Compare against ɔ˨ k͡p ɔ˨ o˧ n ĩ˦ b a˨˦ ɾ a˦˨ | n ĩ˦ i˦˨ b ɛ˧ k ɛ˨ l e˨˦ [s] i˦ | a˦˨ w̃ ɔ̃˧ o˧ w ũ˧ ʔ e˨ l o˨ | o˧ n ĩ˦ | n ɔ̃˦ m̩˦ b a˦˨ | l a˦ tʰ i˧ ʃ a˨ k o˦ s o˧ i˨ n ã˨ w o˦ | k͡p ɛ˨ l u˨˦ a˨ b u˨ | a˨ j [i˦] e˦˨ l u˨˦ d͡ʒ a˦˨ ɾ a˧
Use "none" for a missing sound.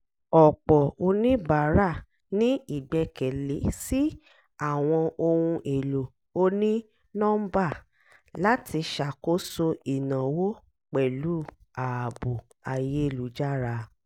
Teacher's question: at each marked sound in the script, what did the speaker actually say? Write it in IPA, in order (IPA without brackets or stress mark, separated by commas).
s, e˦